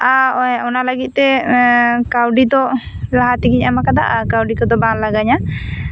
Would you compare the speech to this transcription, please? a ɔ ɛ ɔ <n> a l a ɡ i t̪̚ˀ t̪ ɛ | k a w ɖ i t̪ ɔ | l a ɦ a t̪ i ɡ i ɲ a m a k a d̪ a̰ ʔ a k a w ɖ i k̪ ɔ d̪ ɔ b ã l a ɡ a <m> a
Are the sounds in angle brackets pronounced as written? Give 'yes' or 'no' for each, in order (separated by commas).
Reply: yes, no